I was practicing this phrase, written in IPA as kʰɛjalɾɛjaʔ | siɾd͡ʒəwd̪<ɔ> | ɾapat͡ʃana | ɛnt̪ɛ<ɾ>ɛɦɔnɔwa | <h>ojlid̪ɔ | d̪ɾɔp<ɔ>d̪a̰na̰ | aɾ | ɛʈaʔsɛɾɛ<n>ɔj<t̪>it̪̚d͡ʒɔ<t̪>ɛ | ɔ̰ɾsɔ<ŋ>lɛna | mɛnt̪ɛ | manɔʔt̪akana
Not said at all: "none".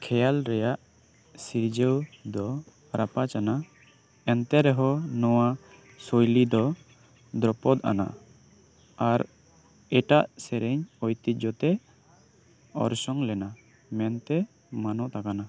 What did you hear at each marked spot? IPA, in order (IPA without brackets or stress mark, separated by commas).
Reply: ɔ, ɾ, s, ɔ, ɲ, t̪, t̪, ŋ